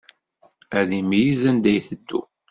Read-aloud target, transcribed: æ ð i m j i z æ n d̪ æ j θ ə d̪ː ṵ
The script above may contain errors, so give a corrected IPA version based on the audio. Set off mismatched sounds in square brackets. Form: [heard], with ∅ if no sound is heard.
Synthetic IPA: æ ð i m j i z æ n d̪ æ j θ ə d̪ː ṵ